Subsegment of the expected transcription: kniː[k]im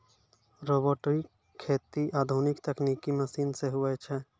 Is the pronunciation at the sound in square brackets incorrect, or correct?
correct